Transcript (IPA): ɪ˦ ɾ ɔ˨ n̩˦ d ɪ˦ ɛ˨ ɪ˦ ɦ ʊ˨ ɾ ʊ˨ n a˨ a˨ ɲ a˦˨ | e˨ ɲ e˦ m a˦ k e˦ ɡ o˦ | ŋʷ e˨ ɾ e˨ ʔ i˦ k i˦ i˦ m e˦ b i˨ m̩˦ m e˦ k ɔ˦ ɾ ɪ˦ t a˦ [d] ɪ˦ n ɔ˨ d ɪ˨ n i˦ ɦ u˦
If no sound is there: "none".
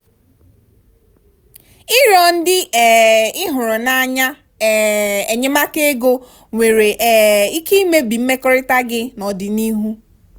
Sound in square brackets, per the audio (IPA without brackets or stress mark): ɡ